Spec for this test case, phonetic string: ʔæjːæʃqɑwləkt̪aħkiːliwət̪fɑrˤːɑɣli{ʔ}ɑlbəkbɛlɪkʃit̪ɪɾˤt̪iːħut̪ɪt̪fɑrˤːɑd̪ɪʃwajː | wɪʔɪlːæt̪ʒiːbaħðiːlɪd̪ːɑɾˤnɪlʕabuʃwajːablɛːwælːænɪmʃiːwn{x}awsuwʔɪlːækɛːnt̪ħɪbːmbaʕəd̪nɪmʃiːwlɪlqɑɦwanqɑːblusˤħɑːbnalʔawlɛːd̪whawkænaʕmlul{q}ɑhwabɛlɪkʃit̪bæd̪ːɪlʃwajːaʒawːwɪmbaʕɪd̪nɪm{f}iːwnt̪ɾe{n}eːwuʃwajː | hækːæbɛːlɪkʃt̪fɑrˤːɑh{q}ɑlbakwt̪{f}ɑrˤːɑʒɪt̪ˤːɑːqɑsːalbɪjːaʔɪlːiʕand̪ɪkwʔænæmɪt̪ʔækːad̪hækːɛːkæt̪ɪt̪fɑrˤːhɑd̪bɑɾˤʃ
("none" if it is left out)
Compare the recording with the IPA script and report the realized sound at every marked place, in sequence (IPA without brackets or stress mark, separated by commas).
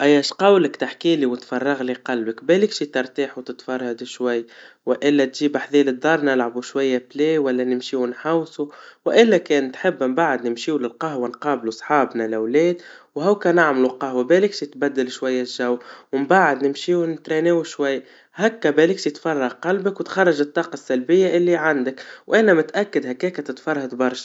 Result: q, ħ, q, ʃ, n, q, x